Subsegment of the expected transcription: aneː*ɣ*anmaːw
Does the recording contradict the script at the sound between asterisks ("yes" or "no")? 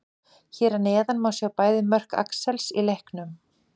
yes